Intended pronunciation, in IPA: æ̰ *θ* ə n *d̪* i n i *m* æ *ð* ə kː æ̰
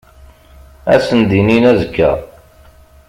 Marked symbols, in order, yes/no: no, yes, no, no

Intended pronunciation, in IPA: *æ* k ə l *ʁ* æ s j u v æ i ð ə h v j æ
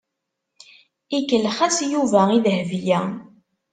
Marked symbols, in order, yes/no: no, no

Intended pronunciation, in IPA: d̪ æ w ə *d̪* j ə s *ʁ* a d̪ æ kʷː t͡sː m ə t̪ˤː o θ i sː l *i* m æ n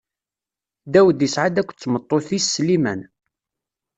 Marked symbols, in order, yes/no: yes, no, yes

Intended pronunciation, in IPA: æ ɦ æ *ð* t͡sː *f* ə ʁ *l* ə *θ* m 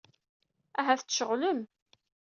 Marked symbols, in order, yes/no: no, no, yes, no

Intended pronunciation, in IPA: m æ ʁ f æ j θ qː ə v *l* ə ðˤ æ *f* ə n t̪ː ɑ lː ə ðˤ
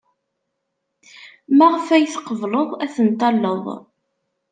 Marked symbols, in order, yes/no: yes, no

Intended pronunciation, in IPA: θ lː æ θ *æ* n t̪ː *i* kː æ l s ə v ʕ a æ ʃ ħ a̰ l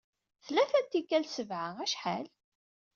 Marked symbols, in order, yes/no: yes, yes

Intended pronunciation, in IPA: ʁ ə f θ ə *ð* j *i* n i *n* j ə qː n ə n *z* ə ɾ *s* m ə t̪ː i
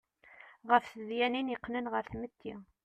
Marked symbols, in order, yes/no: yes, no, yes, no, no

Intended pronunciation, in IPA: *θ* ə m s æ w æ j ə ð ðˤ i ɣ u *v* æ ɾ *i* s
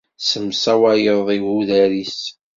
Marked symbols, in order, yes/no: no, no, yes

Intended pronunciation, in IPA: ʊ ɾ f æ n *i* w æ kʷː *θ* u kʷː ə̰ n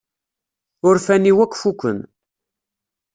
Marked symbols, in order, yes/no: yes, no

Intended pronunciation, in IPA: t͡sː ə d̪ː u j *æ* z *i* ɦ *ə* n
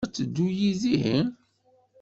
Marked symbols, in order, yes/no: no, yes, yes

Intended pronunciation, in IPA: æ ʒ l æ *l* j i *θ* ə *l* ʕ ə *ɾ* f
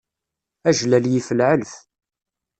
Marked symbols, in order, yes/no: yes, no, yes, no

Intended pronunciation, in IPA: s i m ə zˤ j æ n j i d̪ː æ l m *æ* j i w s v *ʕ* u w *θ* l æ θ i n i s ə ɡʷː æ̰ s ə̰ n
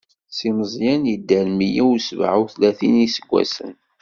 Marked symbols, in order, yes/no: no, yes, yes

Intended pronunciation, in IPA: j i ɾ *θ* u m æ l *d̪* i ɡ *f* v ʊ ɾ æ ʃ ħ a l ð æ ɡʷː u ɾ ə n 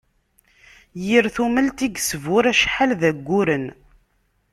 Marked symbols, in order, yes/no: yes, no, no

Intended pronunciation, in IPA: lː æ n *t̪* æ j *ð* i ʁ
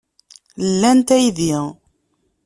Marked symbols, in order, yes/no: yes, yes

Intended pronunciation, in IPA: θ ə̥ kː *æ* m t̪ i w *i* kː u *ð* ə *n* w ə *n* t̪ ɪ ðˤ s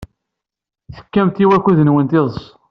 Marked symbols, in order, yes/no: yes, no, yes, yes, yes

